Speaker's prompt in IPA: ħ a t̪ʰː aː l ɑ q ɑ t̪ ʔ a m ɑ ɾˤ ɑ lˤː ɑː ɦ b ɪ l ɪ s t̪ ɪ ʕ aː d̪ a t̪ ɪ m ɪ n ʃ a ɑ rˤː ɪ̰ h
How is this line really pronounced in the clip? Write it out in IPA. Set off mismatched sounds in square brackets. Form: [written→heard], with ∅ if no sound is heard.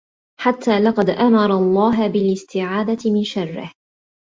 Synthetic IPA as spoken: ħ a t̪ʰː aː l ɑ q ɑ [t̪→d̪] ʔ a m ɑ ɾˤ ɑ lˤː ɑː ɦ b ɪ l ɪ s t̪ ɪ ʕ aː d̪ a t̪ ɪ m ɪ n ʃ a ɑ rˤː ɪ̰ h